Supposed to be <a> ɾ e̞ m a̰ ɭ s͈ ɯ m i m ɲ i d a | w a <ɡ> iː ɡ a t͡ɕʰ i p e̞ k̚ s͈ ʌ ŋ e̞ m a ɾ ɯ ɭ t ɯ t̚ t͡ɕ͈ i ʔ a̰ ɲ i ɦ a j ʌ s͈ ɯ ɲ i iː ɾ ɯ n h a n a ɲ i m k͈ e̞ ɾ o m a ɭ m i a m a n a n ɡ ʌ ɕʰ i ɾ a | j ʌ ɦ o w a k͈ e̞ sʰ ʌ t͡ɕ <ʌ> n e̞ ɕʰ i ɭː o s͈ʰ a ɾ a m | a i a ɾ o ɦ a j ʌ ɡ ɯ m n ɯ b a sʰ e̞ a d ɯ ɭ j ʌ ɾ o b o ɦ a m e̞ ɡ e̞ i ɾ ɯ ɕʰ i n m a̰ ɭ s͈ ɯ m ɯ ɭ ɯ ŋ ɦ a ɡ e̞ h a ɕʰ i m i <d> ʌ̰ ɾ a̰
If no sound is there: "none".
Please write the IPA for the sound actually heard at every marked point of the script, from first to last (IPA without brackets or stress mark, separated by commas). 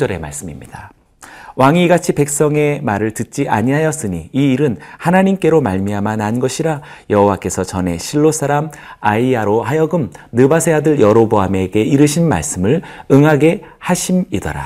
ʌ, ŋ, ʌ, d